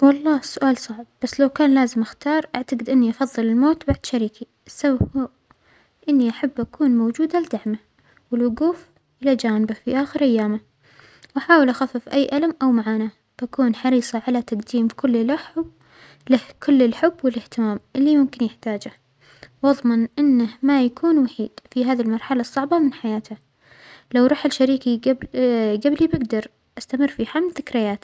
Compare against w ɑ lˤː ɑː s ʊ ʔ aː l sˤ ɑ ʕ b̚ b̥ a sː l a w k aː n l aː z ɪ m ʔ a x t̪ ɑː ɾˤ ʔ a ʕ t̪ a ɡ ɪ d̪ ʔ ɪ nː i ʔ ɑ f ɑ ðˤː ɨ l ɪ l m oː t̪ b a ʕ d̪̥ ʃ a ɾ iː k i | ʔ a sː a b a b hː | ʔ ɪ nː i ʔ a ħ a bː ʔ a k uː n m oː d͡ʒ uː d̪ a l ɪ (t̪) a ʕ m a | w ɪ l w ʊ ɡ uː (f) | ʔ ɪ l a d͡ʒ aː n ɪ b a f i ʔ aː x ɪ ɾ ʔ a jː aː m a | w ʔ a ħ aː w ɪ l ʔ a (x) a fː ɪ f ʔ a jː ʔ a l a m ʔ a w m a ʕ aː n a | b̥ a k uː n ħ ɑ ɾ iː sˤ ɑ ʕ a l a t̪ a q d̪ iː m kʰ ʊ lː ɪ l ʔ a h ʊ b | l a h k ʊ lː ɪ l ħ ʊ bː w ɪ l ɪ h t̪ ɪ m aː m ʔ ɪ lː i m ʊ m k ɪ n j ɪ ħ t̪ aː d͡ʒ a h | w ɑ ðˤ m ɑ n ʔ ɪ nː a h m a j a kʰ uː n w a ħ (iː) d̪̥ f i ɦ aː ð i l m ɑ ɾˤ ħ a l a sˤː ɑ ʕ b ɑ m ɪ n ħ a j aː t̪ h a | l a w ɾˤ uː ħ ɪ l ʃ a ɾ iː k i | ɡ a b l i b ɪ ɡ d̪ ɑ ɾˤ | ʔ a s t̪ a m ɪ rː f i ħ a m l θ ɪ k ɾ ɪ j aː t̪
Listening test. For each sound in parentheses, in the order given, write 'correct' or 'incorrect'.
incorrect: d̪, correct, correct, correct

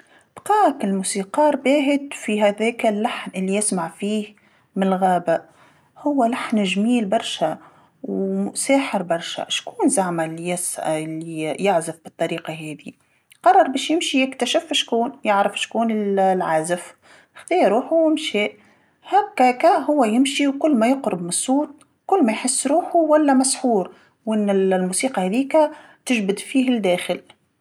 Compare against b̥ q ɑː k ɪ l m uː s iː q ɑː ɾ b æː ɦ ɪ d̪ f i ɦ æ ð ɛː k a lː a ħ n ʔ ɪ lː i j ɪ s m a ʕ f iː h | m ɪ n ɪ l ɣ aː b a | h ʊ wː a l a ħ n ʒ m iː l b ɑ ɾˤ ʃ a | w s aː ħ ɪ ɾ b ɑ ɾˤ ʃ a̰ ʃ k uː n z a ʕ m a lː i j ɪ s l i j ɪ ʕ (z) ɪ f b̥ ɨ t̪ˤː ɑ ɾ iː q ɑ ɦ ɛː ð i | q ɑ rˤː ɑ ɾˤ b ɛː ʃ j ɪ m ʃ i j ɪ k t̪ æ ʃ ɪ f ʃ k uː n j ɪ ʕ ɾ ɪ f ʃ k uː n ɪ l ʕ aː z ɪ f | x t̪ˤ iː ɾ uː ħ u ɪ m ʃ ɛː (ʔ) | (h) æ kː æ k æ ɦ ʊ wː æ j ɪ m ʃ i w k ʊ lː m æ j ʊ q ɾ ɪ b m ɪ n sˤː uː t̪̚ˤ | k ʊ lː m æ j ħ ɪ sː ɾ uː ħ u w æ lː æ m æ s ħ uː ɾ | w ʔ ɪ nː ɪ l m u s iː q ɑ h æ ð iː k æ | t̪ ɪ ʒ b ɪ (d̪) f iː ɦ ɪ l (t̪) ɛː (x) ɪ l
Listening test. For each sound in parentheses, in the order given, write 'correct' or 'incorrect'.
correct, correct, correct, correct, incorrect: d̪, correct

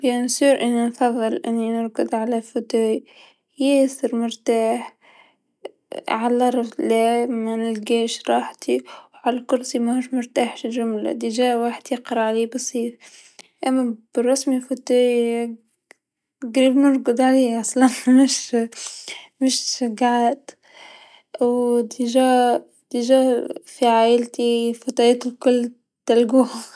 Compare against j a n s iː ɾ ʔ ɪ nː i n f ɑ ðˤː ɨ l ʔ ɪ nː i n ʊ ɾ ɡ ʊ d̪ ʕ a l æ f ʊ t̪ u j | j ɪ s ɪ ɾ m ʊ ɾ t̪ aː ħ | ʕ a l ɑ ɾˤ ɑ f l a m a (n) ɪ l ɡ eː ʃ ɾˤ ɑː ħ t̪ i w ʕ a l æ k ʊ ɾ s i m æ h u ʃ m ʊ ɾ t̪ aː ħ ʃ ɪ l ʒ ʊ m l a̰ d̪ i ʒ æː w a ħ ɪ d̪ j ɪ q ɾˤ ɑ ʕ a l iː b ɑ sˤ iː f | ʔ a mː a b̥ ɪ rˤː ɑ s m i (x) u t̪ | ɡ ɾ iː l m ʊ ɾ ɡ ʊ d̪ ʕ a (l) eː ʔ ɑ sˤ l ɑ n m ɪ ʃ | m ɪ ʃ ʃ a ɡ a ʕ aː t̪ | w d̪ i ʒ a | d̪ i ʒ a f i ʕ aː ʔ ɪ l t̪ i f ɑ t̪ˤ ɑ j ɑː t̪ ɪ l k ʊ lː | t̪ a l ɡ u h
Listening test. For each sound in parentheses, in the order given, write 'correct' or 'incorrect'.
correct, incorrect: f, correct

